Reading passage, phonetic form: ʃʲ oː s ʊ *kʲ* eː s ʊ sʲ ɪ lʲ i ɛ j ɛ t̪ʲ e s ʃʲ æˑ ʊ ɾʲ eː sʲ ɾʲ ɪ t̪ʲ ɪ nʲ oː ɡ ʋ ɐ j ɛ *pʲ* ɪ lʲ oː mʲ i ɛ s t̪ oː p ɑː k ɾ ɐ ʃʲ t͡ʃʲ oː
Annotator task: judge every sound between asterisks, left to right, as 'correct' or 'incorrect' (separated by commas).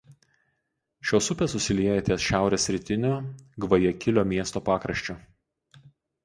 incorrect, incorrect